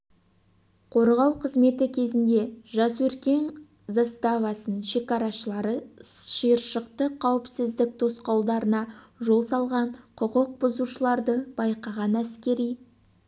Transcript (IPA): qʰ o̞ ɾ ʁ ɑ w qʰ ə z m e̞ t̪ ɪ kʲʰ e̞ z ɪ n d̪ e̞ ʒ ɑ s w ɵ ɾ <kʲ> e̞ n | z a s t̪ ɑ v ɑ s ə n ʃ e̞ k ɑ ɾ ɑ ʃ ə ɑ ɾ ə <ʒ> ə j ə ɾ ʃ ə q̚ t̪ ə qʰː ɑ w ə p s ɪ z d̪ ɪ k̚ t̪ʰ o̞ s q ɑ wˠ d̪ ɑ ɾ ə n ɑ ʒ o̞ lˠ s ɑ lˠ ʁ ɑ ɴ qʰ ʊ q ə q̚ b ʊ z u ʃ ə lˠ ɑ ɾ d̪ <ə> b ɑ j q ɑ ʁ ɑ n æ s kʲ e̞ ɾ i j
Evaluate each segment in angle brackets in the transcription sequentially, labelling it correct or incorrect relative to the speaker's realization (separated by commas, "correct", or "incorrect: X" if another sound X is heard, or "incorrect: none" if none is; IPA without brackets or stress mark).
correct, incorrect: ʃ, correct